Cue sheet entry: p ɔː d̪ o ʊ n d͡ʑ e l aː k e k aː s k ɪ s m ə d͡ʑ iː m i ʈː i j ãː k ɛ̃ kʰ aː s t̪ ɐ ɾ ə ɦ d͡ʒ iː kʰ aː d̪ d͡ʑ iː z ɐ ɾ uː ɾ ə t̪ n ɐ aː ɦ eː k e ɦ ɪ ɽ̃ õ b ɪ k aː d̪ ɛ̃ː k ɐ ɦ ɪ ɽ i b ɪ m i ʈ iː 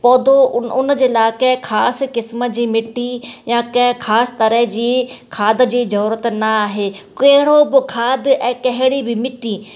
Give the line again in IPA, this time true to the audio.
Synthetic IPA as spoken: p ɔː d̪ o ʊ n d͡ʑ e l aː k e kʰ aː s k ɪ s m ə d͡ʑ iː m ɪ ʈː i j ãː k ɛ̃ kʰ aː s t̪ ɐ ɾ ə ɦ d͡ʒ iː kʰ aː d̪ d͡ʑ iː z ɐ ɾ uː ɾ ə t̪ n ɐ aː ɦ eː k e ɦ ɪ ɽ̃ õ b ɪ kʰ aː d̪ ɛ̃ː k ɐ ɦ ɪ ɽ i b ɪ m ɪ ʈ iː